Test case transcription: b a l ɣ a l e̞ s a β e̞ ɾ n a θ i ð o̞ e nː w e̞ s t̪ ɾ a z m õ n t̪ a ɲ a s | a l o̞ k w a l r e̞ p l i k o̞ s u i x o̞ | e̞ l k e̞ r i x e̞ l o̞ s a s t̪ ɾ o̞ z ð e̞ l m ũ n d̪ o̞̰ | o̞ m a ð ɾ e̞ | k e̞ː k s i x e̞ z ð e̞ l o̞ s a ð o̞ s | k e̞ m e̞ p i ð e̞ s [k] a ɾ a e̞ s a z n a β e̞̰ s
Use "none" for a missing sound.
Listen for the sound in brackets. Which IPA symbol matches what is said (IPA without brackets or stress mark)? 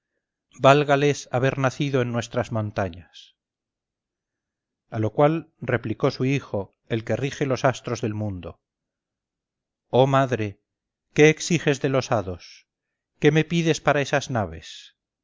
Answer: p